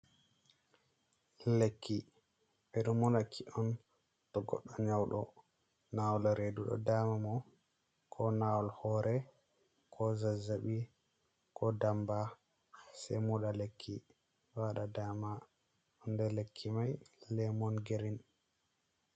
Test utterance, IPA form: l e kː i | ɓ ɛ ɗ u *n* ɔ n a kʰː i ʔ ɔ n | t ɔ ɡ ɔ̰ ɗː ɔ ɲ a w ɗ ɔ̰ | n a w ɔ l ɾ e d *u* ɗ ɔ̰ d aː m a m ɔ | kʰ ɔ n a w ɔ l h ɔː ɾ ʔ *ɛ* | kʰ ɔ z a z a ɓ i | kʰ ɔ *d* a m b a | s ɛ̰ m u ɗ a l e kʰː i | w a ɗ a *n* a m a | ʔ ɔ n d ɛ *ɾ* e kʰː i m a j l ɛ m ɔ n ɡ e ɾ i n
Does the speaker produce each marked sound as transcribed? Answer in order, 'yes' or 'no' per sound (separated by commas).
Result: no, yes, yes, yes, no, no